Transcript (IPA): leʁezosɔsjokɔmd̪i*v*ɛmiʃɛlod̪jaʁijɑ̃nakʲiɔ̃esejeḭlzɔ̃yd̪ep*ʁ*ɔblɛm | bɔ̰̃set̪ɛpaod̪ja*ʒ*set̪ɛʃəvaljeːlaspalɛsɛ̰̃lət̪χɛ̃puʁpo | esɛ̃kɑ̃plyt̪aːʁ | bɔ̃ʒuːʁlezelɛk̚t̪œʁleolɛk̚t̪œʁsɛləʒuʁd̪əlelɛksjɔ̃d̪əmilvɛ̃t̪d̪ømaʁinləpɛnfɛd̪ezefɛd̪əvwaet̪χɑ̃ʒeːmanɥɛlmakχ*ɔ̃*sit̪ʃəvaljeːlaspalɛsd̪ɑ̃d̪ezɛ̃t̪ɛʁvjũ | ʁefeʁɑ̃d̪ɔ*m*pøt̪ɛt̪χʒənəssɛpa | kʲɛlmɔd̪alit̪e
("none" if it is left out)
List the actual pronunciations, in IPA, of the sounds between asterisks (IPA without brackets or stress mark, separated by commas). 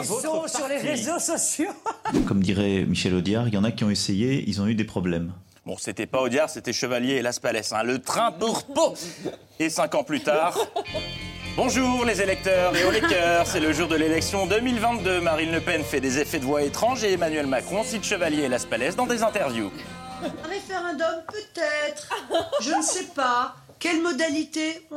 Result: ʁ, χ, ʁ, ɔ̃, m